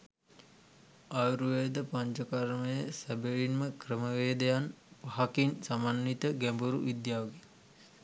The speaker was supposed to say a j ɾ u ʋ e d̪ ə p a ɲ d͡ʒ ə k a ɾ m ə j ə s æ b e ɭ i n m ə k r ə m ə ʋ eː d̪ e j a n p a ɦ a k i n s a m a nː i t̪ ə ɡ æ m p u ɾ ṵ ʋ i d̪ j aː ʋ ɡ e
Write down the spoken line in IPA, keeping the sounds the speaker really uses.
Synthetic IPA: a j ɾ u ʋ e d̪ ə p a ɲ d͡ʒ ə k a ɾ m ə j ə s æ b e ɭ i n m ə k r ə m ə ʋ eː d̪ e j a n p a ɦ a k i n s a m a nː i t̪ ə ɡ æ m b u ɾ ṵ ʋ i d̪ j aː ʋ ɡ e